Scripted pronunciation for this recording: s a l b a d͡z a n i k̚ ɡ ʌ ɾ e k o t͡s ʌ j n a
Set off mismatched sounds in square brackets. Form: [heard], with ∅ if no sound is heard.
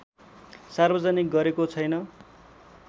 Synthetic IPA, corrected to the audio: s a [r] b [ʌ] d͡z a n i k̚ ɡ ʌ ɾ e k o [t͡sʰ] ʌ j n [ʌ]